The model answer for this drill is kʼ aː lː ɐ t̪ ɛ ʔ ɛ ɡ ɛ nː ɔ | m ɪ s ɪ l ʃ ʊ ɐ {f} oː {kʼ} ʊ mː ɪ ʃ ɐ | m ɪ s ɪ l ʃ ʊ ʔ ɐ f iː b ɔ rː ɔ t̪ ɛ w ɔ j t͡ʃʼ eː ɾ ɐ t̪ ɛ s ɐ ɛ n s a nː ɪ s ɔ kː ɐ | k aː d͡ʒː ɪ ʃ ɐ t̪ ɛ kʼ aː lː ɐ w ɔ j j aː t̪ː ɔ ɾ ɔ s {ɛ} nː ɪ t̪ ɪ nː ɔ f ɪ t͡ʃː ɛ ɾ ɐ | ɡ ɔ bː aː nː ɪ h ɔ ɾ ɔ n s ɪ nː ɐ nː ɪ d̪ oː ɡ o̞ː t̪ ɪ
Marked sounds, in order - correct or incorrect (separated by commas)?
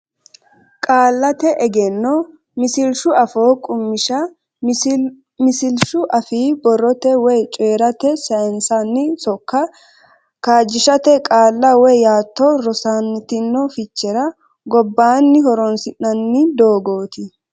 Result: correct, correct, incorrect